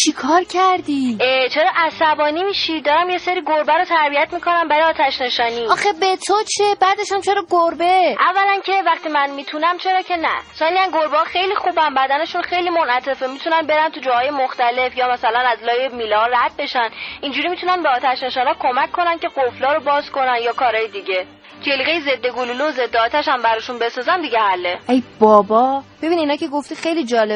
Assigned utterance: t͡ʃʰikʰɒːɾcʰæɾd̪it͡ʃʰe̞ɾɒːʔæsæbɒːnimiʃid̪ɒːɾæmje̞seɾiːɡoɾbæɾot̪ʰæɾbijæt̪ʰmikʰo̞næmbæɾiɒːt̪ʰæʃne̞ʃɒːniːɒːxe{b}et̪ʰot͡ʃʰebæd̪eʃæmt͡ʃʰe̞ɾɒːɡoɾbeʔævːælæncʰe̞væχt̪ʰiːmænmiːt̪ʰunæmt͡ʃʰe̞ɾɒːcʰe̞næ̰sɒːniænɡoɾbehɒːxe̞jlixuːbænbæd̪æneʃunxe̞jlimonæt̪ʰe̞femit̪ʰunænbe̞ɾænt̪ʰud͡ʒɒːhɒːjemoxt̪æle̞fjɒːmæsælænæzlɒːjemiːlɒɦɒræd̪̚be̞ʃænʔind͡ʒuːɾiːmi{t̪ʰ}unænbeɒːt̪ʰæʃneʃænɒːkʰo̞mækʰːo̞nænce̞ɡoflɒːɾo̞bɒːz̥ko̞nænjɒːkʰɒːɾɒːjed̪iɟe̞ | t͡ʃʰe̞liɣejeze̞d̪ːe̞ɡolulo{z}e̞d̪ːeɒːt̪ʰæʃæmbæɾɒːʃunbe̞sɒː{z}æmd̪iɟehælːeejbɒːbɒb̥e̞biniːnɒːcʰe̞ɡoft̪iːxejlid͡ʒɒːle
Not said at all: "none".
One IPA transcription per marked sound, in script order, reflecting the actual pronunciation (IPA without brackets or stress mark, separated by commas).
b, t̪, z, z